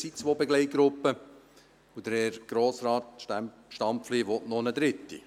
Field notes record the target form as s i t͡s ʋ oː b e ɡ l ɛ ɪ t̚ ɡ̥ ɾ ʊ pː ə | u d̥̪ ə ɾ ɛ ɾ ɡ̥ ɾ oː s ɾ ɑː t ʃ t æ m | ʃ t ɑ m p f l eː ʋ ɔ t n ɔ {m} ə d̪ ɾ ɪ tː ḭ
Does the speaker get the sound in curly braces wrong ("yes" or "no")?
yes